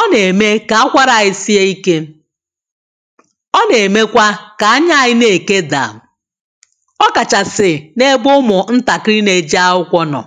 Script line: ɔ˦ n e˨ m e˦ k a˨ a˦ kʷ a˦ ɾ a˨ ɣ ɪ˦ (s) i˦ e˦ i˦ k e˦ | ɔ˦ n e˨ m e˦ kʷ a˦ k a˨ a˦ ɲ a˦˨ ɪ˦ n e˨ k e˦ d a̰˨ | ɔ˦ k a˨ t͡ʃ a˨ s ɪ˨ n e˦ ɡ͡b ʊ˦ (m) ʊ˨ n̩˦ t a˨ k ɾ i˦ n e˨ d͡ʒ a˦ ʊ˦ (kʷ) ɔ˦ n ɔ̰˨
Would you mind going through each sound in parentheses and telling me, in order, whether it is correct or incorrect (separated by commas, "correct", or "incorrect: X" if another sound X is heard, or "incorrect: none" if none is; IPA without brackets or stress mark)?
correct, correct, correct